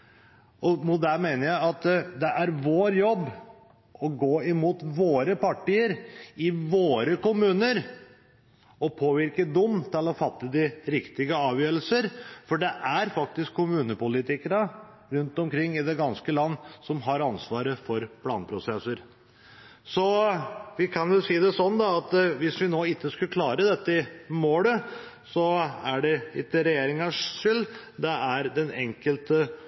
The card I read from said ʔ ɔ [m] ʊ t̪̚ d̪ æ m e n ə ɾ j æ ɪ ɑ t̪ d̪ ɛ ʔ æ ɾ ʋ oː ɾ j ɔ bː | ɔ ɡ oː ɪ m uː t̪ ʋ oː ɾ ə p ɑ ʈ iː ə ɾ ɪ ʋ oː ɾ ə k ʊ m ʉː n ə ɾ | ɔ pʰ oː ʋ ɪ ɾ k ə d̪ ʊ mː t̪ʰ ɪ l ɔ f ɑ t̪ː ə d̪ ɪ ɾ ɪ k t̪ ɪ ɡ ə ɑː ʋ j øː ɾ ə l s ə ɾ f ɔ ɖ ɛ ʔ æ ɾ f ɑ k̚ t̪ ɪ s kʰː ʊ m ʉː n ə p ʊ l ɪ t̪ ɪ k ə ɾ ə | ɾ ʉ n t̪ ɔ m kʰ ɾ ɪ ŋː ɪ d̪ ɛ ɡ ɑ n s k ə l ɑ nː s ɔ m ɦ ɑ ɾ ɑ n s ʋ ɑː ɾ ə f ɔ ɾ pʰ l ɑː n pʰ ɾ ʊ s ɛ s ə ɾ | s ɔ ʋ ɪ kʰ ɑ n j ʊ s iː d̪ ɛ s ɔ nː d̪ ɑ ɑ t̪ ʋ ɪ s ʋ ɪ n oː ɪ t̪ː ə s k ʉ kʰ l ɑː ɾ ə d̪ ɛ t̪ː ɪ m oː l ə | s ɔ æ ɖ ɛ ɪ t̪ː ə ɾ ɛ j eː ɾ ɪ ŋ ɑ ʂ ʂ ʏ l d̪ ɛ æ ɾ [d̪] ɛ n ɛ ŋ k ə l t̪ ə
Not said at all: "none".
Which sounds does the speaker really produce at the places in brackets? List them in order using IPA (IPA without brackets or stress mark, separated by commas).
m, d̪